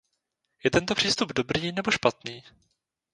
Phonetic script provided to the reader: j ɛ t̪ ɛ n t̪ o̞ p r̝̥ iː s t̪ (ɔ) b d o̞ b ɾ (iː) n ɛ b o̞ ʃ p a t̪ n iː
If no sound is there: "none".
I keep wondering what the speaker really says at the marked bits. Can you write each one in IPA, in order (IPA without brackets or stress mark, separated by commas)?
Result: u, iː